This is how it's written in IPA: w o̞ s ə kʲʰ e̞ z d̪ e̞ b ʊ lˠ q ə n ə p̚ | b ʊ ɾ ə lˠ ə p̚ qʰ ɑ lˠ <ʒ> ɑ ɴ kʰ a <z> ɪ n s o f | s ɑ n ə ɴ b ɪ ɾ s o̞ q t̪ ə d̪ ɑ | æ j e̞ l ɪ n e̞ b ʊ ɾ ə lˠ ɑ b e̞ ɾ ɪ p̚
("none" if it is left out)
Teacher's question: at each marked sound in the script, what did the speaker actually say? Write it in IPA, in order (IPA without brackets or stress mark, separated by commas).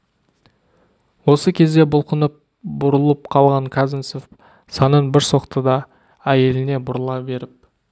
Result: ʁ, z